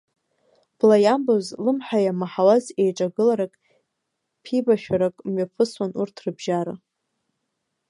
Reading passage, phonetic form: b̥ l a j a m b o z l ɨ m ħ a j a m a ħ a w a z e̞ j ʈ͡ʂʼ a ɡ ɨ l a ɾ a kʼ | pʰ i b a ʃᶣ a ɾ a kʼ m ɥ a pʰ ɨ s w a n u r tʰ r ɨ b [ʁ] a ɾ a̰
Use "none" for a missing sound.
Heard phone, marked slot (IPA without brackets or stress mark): ʒ